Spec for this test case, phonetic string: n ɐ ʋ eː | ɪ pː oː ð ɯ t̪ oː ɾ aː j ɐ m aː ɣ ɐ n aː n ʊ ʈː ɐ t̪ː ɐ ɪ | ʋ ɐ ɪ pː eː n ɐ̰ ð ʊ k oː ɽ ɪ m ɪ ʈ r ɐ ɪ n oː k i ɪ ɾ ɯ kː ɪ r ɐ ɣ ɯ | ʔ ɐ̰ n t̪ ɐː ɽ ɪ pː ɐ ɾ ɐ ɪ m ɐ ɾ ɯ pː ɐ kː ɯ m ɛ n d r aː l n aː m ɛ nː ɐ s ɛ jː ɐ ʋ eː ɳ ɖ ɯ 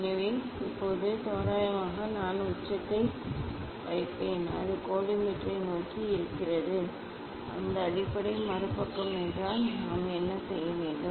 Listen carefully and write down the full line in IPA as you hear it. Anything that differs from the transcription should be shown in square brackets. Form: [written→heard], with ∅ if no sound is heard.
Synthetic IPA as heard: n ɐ ʋ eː | ɪ pː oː ð ɯ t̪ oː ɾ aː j ɐ m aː ɣ ɐ n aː n ʊ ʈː ɐ t̪ː ɐ ɪ | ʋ ɐ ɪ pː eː n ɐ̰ ð [ʊ→ɯ] k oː ɽ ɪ m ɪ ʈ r ɐ ɪ n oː k i ɪ ɾ ɯ kː ɪ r ɐ [ɣ→ð] ɯ | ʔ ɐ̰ n [t̪→d̪] ɐː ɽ ɪ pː ɐ [ɾ→ɽ] ɐ ɪ m ɐ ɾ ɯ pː ɐ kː ɯ m ɛ n d r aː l n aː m ɛ nː ɐ s ɛ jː ɐ ʋ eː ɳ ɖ ɯ

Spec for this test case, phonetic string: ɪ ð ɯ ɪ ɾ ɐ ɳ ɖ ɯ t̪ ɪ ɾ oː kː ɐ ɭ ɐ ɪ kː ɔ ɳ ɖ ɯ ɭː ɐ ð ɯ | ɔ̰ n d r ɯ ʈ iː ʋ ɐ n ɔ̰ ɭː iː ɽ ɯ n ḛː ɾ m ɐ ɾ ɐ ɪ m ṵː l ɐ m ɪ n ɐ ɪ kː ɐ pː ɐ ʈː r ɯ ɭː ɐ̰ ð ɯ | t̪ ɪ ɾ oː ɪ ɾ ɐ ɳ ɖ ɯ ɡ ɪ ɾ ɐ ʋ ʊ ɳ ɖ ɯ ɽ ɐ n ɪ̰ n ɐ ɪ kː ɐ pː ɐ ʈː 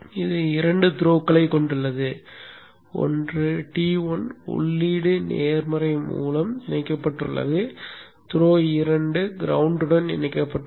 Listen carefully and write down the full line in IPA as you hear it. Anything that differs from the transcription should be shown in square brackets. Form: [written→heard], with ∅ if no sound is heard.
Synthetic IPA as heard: ɪ ð ɯ ɪ ɾ ɐ ɳ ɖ ɯ t̪ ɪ ɾ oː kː ɐ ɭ ɐ ɪ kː ɔ ɳ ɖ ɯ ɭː ɐ ð ɯ | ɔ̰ n d r ɯ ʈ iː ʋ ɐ n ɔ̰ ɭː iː ɽ ɯ n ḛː ɾ m ɐ ɾ ɐ ɪ m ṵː l ɐ m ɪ n ɐ ɪ kː ɐ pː ɐ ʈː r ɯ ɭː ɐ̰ ð ɯ | t̪ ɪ ɾ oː ɪ ɾ ɐ ɳ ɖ ɯ ɡ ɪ ɾ ɐ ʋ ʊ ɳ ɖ ɯ ɽ ɐ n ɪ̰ n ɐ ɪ kː ɐ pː ɐ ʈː

